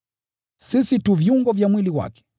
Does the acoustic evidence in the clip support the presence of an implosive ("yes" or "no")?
no